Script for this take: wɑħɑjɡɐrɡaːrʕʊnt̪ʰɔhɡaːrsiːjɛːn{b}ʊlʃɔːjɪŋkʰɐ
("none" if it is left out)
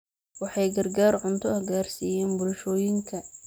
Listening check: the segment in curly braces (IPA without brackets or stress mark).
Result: b